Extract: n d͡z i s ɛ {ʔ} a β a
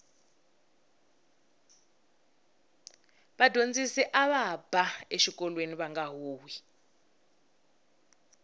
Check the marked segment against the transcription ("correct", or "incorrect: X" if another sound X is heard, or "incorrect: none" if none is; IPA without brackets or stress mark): correct